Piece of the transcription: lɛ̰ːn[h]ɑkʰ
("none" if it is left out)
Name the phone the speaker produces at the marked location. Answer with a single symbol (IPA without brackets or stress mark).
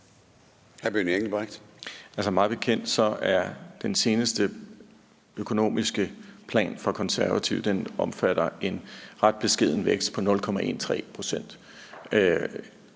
f